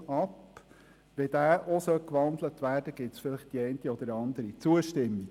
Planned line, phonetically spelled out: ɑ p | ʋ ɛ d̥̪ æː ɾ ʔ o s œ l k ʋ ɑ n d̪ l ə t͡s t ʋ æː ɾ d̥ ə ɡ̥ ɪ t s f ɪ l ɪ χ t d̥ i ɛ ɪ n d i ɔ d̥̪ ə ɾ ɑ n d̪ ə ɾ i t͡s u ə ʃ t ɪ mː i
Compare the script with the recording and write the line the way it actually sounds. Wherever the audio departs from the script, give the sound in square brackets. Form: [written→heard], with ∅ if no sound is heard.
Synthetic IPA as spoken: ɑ p | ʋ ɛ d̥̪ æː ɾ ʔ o s œ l k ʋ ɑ n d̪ l ə [t͡s→∅] t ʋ æː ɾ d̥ ə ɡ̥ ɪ t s f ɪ l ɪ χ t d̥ i ɛ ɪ n [d→t] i ɔ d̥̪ ə ɾ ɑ n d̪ ə ɾ i t͡s u ə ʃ t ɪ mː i